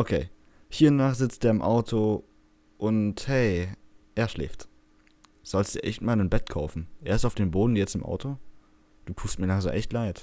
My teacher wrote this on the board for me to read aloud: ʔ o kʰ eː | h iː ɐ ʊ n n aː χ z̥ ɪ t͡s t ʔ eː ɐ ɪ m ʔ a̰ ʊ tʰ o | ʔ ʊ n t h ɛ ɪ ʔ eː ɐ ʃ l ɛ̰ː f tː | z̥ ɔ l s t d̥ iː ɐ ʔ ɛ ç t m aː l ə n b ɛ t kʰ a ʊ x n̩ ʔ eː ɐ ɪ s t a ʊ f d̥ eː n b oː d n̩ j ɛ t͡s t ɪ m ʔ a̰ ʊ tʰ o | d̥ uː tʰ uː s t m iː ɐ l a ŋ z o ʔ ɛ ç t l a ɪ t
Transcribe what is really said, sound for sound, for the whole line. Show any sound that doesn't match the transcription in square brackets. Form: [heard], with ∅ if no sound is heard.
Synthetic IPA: ʔ o kʰ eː | h iː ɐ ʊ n n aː χ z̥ ɪ t͡s t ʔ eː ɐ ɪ m ʔ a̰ ʊ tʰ o | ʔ ʊ n t h ɛ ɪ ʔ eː ɐ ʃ l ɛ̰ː f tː | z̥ ɔ l s t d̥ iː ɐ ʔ ɛ ç t m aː l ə n b ɛ t kʰ a ʊ [f] n̩ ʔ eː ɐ ɪ s t a ʊ f d̥ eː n b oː d n̩ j ɛ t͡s t ɪ m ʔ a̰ ʊ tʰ o | d̥ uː tʰ uː s t m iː ɐ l a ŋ z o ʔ ɛ ç t l a ɪ t

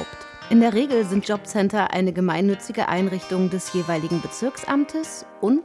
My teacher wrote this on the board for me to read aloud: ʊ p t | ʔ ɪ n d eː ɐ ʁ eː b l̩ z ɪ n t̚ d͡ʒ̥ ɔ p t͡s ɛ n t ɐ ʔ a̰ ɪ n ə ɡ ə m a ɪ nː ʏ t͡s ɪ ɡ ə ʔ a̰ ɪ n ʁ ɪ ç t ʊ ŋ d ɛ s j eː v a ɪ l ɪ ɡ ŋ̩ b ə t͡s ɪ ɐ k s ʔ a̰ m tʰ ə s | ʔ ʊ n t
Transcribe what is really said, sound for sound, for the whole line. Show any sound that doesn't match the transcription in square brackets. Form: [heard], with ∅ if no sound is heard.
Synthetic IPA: ʊ p t | ʔ ɪ n d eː ɐ ʁ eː [ɡ] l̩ z ɪ n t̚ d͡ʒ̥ ɔ p t͡s ɛ n t ɐ ʔ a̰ ɪ n ə ɡ ə m a ɪ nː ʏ t͡s ɪ ɡ ə ʔ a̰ ɪ n ʁ ɪ ç t ʊ ŋ d ɛ s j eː v a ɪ l ɪ ɡ ŋ̩ b ə t͡s ɪ ɐ k s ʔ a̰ m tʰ ə s | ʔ ʊ n t

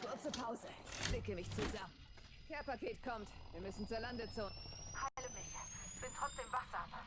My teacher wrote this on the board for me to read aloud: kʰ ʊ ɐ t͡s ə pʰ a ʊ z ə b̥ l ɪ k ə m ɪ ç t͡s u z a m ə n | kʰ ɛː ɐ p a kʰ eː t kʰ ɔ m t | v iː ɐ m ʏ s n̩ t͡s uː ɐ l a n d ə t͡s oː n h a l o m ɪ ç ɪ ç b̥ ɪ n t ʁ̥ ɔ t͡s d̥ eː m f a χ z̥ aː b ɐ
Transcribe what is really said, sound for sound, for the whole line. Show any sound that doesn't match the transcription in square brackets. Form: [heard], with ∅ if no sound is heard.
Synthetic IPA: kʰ ʊ ɐ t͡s ə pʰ a ʊ z ə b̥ l ɪ k ə m ɪ ç t͡s u z a m ə n | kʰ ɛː ɐ p a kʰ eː t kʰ ɔ m t | v iː ɐ m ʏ s n̩ t͡s uː ɐ l a n d ə t͡s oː n h a l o m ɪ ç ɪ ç b̥ ɪ n t ʁ̥ ɔ t͡s d̥ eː m [v] a χ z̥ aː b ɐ

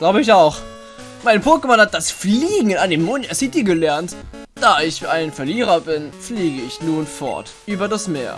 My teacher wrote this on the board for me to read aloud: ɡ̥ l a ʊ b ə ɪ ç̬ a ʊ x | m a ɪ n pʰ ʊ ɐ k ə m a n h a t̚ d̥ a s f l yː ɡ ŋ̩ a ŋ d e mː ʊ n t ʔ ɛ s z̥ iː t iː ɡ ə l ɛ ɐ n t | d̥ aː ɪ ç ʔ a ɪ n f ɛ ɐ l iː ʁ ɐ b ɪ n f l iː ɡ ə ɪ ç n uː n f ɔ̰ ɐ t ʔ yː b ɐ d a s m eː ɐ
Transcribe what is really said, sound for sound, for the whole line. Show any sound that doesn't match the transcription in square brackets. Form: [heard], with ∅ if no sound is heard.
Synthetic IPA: ɡ̥ l a ʊ b ə ɪ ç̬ a ʊ x | m a ɪ n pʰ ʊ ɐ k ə m a n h a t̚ d̥ a s f l [iː] ɡ ŋ̩ a [n] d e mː ʊ n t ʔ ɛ s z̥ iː t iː ɡ ə l ɛ ɐ n t | d̥ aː ɪ ç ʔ a ɪ n f ɛ ɐ l iː ʁ ɐ b ɪ n f l iː ɡ ə ɪ ç n uː n f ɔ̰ ɐ t ʔ yː b ɐ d a s m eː ɐ

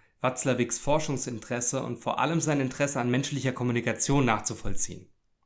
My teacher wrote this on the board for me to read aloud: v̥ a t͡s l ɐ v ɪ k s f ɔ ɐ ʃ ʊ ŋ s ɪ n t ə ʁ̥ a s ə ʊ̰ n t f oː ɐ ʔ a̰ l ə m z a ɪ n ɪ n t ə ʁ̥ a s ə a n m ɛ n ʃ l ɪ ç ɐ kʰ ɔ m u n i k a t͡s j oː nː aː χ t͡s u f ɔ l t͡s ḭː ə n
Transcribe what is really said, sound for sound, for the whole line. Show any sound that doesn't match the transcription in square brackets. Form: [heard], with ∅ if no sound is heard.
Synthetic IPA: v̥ a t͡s l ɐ v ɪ k s f ɔ ɐ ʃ ʊ ŋ s ɪ n t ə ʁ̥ [ɛ] s ə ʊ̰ n t f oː ɐ ʔ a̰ l ə m z a ɪ n ɪ n t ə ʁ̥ [ɛ] s ə a n m ɛ n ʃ l ɪ ç ɐ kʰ ɔ m u n i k a t͡s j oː nː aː χ t͡s u f ɔ l t͡s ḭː ə n

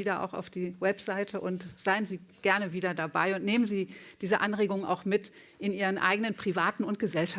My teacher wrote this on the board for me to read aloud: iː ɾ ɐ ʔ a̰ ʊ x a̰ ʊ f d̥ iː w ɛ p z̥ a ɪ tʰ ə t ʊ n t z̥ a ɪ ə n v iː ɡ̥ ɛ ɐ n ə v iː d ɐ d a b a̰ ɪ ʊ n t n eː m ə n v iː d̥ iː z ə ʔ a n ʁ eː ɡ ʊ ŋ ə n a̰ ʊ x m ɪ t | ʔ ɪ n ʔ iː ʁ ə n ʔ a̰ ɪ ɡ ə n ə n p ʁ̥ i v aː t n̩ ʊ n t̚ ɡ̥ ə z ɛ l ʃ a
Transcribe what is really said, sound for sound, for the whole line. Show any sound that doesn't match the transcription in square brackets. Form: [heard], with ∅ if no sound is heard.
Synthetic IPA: iː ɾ ɐ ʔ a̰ ʊ x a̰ ʊ f d̥ iː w ɛ p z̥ a ɪ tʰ ə [ʔ] ʊ n t z̥ a ɪ ə n [z] iː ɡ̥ ɛ ɐ n ə v iː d ɐ d a b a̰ ɪ ʊ n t n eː m ə n [z] iː d̥ iː z ə ʔ a n ʁ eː ɡ ʊ ŋ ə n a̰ ʊ x m ɪ t | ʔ ɪ n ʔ iː ʁ ə n ʔ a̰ ɪ ɡ ə n ə n p ʁ̥ i v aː t n̩ ʊ n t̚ ɡ̥ ə z ɛ l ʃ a

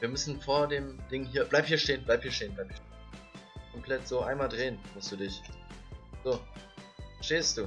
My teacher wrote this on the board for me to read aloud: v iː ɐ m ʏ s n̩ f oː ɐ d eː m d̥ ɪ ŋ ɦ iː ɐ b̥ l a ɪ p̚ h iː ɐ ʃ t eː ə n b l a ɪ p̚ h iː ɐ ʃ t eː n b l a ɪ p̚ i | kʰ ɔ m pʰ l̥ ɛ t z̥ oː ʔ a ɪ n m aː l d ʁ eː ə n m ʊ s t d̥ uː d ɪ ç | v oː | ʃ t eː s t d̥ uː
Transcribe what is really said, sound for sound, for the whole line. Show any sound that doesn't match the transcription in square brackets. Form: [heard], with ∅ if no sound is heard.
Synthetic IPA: v iː ɐ m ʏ s n̩ f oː ɐ d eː m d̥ ɪ ŋ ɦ iː ɐ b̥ l a ɪ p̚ h iː ɐ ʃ t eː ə n b l a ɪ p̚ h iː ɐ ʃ t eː n b l a ɪ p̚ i | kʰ ɔ m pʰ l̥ ɛ t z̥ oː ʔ a ɪ n m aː l d ʁ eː ə n m ʊ s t d̥ uː d ɪ ç | [z] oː | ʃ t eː s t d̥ uː

